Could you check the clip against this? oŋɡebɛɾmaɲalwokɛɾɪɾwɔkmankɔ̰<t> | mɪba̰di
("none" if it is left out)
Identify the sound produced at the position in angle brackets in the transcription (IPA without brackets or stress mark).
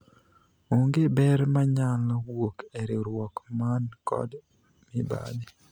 d